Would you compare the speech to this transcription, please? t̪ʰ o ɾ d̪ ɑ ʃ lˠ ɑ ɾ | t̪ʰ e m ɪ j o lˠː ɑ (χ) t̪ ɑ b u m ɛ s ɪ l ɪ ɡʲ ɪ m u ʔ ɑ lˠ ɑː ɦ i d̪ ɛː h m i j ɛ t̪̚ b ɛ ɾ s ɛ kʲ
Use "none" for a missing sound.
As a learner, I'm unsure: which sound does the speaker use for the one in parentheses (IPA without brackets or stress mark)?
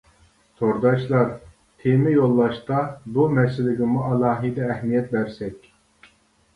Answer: ʃ